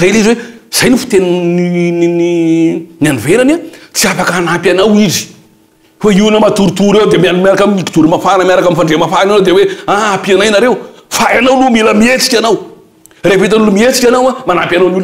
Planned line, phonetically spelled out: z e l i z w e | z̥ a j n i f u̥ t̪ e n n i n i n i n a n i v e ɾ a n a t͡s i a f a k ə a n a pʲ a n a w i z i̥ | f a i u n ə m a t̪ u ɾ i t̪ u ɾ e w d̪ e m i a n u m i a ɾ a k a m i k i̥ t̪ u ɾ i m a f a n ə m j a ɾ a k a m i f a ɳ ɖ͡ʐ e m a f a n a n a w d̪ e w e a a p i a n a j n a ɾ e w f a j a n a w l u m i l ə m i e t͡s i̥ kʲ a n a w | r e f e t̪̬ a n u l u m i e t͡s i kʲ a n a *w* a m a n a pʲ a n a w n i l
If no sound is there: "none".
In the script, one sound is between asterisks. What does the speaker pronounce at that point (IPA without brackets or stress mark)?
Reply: w